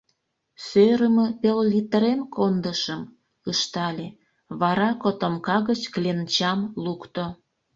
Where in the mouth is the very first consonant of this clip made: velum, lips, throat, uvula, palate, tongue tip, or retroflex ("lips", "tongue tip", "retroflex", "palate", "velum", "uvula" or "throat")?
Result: tongue tip